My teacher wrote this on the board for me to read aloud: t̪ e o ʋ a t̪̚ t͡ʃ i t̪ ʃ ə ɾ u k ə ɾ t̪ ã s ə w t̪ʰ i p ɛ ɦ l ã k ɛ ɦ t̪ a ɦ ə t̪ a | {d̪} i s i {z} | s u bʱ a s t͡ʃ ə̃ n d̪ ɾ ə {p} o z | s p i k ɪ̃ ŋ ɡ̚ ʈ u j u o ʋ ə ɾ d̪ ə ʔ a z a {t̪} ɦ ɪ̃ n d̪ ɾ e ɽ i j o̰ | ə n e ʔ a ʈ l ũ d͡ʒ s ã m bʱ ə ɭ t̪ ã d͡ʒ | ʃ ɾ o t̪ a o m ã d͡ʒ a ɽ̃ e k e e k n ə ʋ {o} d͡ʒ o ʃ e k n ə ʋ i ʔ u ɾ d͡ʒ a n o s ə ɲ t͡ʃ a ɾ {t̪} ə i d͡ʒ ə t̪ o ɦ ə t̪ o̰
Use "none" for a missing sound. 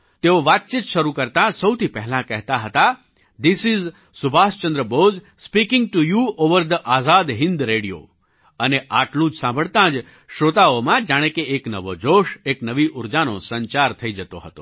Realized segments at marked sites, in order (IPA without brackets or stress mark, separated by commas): d̪, z, b, d̪, o, t̪ʰ